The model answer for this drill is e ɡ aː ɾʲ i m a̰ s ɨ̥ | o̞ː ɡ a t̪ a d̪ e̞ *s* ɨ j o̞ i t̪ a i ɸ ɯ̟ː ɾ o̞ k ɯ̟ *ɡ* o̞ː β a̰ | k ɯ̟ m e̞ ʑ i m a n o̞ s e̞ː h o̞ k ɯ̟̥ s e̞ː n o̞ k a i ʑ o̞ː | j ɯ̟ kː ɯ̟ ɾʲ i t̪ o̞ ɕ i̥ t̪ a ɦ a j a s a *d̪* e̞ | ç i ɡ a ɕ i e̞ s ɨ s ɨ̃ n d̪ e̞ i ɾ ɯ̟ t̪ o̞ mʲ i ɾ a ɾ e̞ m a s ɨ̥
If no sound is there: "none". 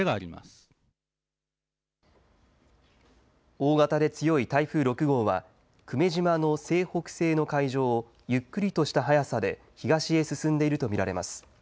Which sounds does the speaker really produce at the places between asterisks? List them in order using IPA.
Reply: t͡s, ɡ, d̪

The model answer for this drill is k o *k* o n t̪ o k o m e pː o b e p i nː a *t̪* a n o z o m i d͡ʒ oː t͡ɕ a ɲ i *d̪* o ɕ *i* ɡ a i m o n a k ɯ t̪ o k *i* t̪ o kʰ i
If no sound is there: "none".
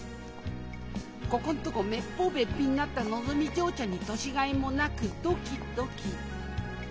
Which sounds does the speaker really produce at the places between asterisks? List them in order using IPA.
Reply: k, t̪, t̪, i, i

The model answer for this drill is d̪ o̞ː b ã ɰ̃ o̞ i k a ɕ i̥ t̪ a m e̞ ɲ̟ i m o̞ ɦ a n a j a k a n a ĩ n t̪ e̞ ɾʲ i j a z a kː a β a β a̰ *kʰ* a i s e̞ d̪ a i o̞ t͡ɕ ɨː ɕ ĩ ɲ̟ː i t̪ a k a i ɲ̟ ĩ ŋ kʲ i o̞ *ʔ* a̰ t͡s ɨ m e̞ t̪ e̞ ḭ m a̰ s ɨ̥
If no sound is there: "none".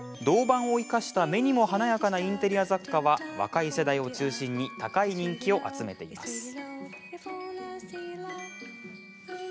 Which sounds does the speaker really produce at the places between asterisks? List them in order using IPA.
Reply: k, ʔ

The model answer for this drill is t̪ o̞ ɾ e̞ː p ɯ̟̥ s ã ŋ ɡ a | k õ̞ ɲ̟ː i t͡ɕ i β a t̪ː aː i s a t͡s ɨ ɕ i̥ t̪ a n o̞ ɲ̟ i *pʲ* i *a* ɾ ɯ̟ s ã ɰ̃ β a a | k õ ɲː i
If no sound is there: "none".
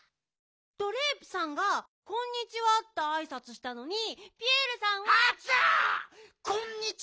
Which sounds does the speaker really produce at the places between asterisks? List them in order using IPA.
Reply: pʲ, e

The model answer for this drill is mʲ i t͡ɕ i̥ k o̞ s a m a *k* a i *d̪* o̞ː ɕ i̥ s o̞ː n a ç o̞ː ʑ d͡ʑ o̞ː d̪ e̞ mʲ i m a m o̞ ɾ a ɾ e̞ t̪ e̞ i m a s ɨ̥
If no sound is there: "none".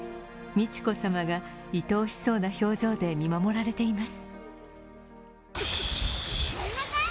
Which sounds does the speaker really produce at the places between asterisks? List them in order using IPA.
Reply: ɡ, t̪

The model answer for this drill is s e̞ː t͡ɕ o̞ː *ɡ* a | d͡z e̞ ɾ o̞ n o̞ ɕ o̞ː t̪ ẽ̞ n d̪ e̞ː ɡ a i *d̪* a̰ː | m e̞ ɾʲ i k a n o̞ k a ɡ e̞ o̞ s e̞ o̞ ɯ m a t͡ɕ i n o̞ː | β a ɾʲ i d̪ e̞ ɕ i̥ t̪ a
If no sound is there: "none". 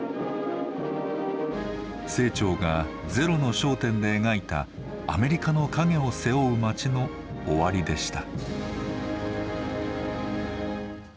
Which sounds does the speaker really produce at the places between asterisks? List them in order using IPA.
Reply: ɡ, t̪

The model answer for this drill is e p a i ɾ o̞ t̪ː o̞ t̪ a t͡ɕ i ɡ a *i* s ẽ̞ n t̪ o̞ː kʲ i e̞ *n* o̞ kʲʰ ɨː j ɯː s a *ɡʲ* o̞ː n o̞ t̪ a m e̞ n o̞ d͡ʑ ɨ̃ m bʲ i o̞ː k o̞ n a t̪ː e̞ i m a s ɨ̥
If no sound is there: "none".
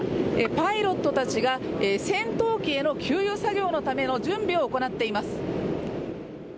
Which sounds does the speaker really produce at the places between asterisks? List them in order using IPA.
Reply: e, n, ɡʲ

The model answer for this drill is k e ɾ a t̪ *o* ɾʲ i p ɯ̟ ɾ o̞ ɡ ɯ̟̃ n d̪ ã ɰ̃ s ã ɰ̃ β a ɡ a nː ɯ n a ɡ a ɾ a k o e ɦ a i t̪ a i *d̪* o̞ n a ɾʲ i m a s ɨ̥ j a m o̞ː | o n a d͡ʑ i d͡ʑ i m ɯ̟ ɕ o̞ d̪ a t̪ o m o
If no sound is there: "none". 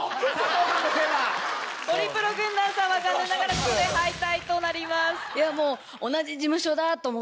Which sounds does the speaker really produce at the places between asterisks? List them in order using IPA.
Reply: o, t̪

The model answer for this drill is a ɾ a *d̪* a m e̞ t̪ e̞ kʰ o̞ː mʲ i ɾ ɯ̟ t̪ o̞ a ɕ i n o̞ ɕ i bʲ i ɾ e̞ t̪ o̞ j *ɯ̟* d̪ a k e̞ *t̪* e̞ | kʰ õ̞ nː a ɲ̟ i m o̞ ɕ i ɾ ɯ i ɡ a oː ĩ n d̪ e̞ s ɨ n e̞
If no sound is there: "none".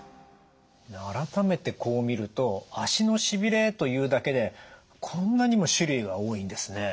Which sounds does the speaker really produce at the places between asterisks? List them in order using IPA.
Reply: t̪, ɯ̟ː, d̪

